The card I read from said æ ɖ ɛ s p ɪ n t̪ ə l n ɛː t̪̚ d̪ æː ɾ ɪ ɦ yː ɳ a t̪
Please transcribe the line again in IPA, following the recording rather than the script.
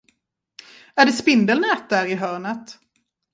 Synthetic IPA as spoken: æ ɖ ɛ s p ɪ n d̪ ə l n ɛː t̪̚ d̪ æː ɾ ɪ ɦ œː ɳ ə t̪